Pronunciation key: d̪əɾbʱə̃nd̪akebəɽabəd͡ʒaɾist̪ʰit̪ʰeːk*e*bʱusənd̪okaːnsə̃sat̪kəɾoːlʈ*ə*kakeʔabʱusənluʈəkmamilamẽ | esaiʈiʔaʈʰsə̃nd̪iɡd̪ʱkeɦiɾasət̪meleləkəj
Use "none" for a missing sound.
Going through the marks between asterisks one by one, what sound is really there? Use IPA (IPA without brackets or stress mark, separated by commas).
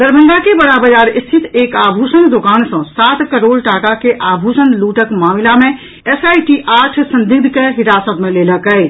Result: a, a